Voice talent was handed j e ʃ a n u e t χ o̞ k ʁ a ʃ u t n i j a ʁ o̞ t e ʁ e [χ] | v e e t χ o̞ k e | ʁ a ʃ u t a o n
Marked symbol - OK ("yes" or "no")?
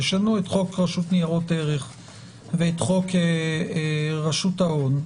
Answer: yes